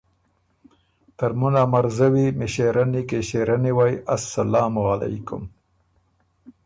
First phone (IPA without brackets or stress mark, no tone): t̪